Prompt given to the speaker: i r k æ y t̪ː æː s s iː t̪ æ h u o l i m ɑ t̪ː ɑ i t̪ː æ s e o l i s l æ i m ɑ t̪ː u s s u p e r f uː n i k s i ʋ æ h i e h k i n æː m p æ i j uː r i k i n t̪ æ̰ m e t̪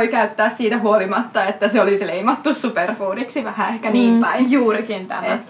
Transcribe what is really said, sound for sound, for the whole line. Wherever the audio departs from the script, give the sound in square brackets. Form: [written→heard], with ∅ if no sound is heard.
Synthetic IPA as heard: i [r→∅] k æ y t̪ː æː s s iː t̪ æ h u o l i m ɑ t̪ː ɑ [i→e] t̪ː æ s e o l i s l [æ→e] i m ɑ t̪ː u s s u p e r f uː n i k s i ʋ æ h [i→æ] e h k [i→æ] n [æː→iː] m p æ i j uː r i k i n t̪ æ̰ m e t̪